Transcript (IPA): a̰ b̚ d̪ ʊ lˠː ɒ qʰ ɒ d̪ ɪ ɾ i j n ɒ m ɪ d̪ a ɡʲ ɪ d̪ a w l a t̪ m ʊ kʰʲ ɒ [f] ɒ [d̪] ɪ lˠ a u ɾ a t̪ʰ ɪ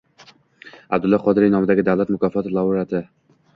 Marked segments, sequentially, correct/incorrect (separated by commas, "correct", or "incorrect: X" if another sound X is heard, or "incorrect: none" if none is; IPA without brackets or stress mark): correct, incorrect: t̪